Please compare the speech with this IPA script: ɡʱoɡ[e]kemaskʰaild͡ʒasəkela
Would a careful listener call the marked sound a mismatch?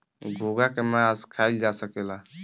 yes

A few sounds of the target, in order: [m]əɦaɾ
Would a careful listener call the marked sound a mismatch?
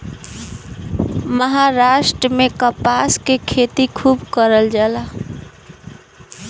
no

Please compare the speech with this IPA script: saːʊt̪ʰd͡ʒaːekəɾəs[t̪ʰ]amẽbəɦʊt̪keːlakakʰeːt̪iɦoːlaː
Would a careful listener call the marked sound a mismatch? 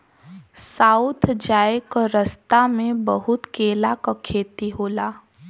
yes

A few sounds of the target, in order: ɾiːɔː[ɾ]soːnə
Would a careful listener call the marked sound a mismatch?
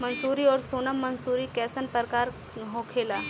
no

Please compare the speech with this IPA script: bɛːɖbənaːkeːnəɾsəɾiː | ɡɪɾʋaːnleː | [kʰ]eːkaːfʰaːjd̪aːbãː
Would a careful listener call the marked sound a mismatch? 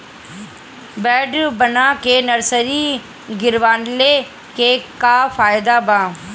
yes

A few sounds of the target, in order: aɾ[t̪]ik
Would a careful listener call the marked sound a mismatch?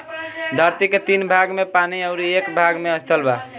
no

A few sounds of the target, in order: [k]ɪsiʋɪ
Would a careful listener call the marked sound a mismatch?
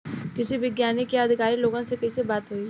no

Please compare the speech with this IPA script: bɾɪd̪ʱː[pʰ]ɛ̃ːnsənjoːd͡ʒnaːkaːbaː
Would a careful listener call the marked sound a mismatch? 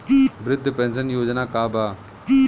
yes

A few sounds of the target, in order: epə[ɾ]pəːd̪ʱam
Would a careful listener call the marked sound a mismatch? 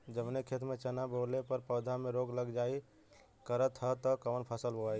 no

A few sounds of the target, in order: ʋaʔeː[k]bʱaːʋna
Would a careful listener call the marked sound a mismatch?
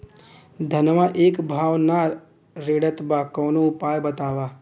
no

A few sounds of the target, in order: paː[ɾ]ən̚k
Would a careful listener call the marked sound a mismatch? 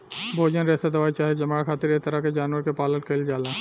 yes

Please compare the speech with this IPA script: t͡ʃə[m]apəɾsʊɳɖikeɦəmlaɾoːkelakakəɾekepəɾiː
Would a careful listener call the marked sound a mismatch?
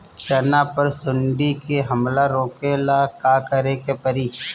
yes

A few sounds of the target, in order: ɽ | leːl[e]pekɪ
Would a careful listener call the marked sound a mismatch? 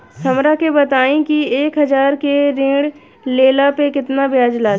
yes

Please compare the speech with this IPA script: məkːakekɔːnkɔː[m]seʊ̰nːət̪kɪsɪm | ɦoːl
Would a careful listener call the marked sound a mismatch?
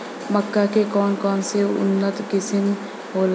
yes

